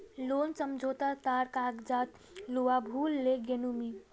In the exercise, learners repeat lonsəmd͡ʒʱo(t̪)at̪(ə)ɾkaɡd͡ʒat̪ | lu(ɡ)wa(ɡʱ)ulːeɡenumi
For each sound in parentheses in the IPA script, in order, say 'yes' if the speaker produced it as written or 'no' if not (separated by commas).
yes, no, no, no